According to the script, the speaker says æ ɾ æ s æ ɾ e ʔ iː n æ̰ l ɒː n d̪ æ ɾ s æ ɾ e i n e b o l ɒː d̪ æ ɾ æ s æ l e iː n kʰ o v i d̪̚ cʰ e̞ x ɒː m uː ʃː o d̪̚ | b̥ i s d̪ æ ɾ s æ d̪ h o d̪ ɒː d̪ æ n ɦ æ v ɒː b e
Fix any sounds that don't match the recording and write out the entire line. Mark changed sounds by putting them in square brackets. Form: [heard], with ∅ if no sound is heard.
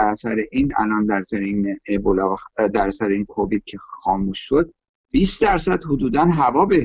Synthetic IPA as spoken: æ ɾ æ s æ ɾ e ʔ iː n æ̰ l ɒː n d̪ æ ɾ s æ ɾ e i n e b o l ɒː d̪ æ ɾ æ s æ [ɾ] e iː n kʰ o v i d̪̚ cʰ e̞ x ɒː m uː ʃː o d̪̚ | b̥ i s d̪ æ ɾ s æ d̪ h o d̪ [uː] d̪ æ n ɦ æ v ɒː b e